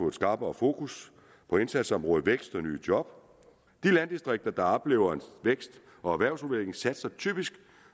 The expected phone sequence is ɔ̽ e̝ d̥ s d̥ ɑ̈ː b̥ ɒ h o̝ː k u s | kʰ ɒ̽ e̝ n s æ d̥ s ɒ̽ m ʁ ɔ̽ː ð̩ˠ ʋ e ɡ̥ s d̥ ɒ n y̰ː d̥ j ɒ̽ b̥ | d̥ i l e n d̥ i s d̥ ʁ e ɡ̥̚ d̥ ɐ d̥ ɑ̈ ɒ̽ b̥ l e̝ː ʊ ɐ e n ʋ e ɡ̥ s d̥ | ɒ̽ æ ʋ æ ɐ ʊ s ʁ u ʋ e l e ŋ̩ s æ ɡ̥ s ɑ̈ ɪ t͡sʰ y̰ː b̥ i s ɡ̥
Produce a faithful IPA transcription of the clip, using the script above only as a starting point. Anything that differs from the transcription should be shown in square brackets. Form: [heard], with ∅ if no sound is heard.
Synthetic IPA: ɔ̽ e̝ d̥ s [ɡ̥] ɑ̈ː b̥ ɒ [f] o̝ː k u s | [pʰ] ɒ̽ e̝ n s æ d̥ s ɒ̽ m ʁ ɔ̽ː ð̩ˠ ʋ e ɡ̥ s d̥ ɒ n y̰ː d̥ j ɒ̽ b̥ | d̥ i l [æ] n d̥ i s d̥ ʁ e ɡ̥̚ d̥ ɐ d̥ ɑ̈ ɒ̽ b̥ l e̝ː ʊ ɐ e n ʋ e ɡ̥ s d̥ | ɒ̽ æ ʋ æ ɐ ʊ s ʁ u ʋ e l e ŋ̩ s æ [d̥] s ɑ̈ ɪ t͡sʰ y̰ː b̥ i s ɡ̥